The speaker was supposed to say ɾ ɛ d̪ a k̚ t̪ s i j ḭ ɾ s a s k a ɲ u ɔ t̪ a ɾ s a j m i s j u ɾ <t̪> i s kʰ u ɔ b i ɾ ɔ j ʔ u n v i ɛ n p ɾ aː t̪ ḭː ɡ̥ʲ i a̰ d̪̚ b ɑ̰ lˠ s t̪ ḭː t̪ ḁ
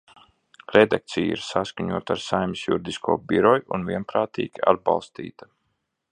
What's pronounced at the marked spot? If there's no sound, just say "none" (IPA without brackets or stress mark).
d̪